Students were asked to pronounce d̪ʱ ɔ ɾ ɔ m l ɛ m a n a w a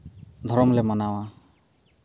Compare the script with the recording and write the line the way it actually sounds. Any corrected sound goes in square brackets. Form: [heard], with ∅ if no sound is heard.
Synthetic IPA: d̪ʱ ɔ ɾ ɔ m l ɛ m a n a w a